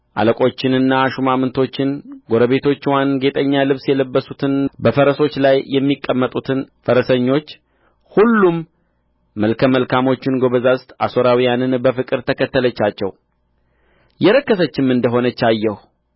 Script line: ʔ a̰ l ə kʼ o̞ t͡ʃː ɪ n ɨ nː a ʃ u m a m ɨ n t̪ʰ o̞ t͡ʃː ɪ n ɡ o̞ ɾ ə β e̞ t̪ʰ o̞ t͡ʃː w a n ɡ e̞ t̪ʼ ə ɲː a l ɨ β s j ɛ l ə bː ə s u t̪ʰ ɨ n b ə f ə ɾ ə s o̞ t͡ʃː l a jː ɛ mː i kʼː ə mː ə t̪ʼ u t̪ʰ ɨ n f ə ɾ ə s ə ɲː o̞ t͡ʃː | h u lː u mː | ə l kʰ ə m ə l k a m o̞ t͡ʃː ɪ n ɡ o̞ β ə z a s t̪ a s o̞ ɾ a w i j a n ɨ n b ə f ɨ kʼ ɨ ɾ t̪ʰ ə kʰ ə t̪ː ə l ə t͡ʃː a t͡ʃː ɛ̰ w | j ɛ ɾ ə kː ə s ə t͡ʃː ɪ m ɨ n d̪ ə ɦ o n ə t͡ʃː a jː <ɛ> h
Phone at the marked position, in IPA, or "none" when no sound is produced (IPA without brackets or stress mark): ɛ